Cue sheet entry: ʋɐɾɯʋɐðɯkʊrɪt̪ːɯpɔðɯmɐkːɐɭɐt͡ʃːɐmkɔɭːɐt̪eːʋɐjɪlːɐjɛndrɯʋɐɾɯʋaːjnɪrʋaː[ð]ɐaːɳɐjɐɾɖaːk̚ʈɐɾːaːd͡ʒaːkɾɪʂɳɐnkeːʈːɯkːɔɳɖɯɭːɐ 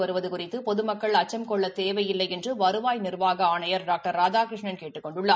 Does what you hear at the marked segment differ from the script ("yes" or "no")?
yes